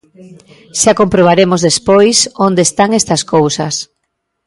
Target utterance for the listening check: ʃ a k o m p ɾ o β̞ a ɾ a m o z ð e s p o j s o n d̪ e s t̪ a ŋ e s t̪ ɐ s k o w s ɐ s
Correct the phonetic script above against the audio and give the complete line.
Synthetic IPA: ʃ a k o m p ɾ o β̞ a ɾ e m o z ð e s p o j s o n d̪ e s t̪ a ŋ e s t̪ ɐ s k o w s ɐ s